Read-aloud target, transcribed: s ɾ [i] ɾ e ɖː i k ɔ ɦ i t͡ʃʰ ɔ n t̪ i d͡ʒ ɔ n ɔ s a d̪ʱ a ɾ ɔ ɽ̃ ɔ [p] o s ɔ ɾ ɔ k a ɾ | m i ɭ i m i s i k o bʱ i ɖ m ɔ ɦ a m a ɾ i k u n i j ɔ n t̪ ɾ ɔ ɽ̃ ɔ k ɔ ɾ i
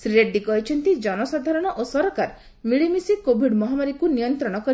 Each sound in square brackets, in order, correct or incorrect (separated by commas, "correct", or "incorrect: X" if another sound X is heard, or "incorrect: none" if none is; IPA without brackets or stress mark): correct, incorrect: ʔ